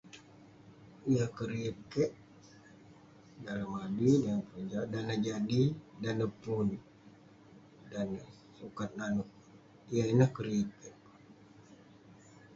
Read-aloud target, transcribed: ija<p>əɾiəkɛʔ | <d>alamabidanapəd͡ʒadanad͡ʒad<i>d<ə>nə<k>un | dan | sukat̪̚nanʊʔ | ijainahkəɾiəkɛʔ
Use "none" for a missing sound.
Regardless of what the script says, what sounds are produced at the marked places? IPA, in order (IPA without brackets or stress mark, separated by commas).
k, d, i, a, p